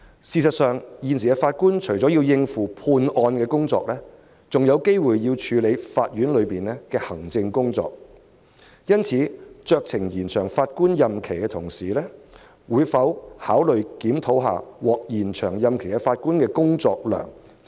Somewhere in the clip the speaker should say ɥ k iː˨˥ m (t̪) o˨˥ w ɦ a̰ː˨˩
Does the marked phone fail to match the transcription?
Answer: yes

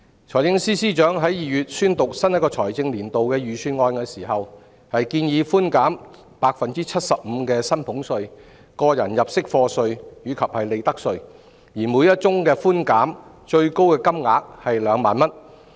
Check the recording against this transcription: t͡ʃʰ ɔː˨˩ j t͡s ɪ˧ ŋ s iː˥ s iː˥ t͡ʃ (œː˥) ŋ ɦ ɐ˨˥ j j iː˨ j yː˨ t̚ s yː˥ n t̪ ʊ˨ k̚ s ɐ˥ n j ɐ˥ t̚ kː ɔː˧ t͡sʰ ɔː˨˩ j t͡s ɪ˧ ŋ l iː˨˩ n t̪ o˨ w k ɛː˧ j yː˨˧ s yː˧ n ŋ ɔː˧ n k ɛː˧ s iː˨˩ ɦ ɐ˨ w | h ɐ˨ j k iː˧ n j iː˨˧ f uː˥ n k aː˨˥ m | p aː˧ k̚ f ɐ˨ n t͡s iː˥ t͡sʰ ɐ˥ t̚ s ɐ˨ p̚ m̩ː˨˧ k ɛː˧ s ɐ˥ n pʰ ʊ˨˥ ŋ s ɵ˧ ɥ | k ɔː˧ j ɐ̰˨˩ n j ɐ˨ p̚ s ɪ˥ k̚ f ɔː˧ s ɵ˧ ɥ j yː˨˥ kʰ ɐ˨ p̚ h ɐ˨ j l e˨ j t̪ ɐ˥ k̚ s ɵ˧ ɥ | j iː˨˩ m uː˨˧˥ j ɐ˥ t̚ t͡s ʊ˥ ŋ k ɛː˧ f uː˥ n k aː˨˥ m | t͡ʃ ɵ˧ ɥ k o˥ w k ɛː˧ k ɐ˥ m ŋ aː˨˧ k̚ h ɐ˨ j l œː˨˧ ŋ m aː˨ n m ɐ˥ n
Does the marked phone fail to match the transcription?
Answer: yes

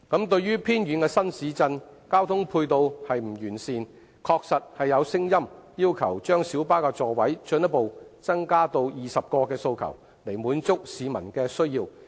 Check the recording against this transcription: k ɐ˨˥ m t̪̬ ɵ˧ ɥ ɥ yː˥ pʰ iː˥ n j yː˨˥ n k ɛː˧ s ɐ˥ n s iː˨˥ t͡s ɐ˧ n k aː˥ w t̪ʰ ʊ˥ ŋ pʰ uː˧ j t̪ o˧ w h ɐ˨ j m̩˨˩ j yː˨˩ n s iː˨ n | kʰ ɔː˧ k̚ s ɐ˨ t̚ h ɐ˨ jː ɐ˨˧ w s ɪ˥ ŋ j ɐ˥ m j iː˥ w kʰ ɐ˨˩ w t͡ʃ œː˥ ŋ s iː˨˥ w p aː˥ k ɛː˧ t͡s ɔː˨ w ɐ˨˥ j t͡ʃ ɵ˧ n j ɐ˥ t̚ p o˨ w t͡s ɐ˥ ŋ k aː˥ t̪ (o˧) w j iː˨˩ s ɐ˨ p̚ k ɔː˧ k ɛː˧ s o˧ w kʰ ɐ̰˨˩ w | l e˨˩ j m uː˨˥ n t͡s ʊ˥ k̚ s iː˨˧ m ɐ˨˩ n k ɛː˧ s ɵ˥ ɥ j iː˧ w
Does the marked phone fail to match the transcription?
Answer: no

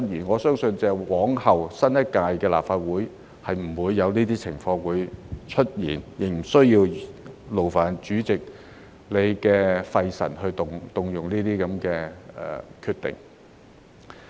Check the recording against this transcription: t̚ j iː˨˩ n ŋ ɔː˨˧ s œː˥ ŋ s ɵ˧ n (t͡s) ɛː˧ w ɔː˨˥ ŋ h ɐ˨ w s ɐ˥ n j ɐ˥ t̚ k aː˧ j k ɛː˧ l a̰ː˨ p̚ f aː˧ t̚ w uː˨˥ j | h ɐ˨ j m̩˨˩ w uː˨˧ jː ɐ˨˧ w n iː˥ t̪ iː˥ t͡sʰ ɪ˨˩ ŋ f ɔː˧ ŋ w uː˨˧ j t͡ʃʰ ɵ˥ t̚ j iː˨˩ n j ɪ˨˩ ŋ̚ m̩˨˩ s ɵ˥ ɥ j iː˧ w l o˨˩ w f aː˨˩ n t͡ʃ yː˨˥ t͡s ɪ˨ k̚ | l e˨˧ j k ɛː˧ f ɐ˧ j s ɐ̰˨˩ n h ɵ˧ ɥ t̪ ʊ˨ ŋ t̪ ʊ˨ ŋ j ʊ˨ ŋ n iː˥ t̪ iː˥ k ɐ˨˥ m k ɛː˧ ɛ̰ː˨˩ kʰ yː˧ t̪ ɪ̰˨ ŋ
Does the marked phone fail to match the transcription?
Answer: no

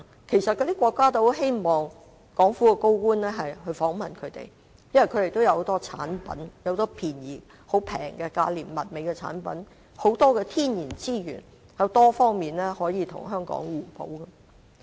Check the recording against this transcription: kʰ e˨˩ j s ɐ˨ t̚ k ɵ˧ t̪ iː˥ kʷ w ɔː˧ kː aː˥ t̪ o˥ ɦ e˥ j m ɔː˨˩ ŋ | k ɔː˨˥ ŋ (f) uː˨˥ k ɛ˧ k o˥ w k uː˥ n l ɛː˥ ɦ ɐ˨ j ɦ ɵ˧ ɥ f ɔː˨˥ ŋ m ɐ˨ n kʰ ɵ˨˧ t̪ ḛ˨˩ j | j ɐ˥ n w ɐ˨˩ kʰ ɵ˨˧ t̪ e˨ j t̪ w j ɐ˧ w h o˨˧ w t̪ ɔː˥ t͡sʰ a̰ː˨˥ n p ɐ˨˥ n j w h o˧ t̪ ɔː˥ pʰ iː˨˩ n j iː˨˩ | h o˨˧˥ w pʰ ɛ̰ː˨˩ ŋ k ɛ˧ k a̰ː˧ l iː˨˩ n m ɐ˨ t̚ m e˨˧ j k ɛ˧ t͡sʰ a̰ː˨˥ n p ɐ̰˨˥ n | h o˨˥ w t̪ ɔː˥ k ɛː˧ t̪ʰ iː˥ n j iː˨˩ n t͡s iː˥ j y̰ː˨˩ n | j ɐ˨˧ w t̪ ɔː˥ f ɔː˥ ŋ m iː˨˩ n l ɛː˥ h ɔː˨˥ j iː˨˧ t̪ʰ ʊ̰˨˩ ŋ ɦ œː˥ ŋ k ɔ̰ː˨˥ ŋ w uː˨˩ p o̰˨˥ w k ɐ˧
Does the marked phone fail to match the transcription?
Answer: no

